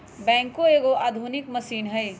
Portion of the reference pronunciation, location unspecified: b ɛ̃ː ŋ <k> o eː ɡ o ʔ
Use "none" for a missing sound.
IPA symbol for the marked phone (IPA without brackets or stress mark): k